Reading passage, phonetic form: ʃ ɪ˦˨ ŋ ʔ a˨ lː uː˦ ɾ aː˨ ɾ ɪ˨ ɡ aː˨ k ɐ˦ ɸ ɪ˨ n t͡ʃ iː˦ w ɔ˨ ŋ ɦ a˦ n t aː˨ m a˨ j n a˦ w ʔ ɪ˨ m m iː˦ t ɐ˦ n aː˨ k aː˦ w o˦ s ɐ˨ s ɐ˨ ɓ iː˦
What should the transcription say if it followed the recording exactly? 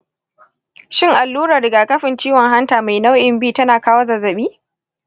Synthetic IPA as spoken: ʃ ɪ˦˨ ŋ ʔ a˨ lː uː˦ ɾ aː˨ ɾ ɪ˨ ɡ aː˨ k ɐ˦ ɸ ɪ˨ n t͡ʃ iː˦ w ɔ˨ ŋ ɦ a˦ n t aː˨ m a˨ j n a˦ w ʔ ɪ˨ m b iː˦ t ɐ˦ n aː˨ k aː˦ w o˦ z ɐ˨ z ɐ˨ ɓ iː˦